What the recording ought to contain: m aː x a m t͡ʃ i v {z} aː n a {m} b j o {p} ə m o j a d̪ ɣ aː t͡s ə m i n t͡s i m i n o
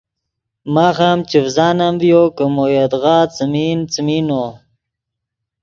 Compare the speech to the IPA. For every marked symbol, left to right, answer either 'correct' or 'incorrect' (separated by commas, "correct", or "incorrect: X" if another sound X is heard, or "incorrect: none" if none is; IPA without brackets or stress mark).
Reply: correct, correct, incorrect: k